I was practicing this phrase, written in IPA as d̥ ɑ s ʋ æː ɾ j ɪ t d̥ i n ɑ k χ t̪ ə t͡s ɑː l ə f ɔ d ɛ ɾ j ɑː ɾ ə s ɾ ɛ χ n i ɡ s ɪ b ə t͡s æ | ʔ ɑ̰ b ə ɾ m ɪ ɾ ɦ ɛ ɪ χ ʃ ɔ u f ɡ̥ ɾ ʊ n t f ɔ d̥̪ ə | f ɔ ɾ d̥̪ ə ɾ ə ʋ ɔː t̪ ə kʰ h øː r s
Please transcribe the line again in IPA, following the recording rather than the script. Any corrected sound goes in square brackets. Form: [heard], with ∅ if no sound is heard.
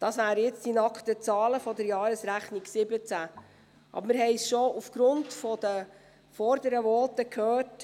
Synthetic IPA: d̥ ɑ s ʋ æː ɾ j ɪ [t͡s] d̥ i n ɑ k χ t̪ ə t͡s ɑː l ə f ɔ d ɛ ɾ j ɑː ɾ ə s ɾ [æ] χ n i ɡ s ɪ b ə t͡s æ | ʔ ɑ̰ b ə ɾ m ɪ ɾ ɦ ɛ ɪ [s] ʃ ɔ u f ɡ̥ ɾ ʊ n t f ɔ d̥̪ ə | f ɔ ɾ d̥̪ ə ɾ ə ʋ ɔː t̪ ə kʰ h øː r [t]